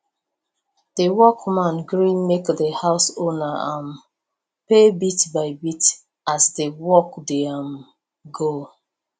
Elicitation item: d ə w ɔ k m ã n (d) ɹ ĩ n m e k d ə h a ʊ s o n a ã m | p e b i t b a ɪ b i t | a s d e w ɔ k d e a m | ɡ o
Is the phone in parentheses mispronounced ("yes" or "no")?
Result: yes